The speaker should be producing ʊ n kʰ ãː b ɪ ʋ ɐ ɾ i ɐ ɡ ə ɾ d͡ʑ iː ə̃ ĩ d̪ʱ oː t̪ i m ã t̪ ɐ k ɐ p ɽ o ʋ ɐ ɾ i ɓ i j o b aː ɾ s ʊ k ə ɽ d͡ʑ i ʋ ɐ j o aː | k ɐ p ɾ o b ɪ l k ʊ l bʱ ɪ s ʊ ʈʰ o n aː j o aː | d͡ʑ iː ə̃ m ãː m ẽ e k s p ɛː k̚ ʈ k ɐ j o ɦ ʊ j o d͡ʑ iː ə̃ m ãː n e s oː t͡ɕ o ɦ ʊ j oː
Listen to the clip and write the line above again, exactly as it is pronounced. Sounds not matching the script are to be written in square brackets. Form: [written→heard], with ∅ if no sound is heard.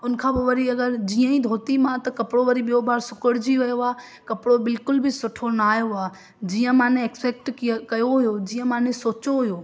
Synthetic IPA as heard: ʊ n kʰ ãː b ɪ ʋ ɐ ɾ i ɐ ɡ ə ɾ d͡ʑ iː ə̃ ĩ d̪ʱ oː t̪ i m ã t̪ ɐ k ɐ p ɽ o ʋ ɐ ɾ i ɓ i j o b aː ɾ s ʊ k ə ɽ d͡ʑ i ʋ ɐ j o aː | k ɐ p [ɾ→ɽ] o b ɪ l k ʊ l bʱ ɪ s ʊ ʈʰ o n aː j o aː | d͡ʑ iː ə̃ m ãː [m→n] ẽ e k s p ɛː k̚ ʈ k ɐ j o ɦ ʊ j o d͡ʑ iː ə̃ m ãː n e s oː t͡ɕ o ɦ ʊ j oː